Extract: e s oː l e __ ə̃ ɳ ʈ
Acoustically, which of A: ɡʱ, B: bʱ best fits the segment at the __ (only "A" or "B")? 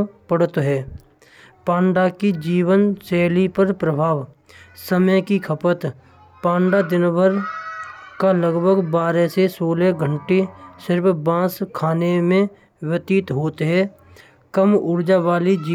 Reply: A